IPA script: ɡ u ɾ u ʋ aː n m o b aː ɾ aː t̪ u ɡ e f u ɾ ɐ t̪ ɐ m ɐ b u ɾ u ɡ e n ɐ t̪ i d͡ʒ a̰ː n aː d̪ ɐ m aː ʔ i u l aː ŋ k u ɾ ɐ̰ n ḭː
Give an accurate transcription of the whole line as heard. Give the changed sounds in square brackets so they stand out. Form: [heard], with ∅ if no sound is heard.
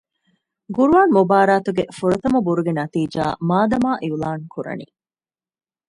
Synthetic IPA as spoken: ɡ u ɾ u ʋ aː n m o b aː ɾ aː t̪ u ɡ e f u ɾ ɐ t̪ ɐ m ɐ b u ɾ u ɡ e n ɐ t̪ [iː] d͡ʒ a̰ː [m] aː d̪ ɐ m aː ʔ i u l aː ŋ k u ɾ ɐ̰ n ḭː

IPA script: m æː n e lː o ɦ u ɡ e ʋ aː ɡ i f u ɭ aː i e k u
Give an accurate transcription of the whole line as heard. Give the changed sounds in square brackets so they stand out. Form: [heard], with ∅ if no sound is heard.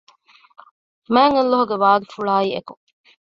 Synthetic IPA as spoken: m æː [ŋ] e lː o ɦ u ɡ e ʋ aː ɡ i f u ɭ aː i e k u

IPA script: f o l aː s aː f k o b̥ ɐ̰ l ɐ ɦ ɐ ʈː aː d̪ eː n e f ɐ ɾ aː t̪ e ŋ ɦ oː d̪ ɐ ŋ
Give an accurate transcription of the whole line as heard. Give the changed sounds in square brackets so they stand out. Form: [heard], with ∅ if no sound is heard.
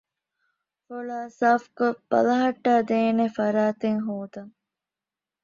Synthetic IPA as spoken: f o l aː s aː f k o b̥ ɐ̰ l ɐ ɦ ɐ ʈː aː d̪ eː n e f ɐ ɾ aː t̪ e ŋ ɦ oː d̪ ɐ ŋ

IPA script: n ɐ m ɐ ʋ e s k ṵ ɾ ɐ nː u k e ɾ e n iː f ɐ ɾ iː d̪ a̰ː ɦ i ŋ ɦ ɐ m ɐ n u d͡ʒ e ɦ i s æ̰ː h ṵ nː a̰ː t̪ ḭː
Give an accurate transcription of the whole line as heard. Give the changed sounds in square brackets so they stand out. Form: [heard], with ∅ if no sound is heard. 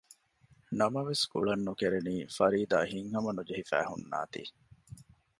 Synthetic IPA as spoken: n ɐ m ɐ ʋ e s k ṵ [ɭ] ɐ nː u k e ɾ e n iː f ɐ ɾ iː d̪ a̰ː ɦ i ŋ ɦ ɐ m ɐ n u d͡ʒ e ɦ i [f] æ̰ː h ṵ nː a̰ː t̪ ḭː

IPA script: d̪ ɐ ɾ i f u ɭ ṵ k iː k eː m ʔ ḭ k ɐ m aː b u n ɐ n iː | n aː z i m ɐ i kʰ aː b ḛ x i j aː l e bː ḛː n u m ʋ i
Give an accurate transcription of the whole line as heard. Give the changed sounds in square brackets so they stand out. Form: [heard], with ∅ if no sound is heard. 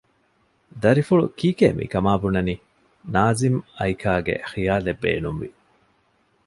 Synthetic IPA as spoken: d̪ ɐ ɾ i f u ɭ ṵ k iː k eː m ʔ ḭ k ɐ m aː b u n ɐ n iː | n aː z i m ɐ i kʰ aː [ɡ] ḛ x i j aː l e bː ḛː n u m ʋ i

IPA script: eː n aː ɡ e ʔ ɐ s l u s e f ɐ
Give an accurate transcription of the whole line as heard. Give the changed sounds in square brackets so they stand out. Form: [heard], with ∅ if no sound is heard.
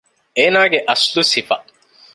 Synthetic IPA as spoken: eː n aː ɡ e ʔ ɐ s l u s [i] f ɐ

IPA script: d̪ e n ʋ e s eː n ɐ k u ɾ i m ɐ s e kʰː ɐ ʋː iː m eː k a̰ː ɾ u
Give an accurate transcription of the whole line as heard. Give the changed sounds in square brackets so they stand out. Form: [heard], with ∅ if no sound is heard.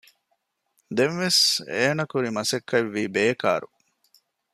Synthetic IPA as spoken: d̪ e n ʋ e s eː n ɐ k u ɾ i m ɐ s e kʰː ɐ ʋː iː [b] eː k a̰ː ɾ u

